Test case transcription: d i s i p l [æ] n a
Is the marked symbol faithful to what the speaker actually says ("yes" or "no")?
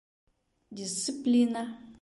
no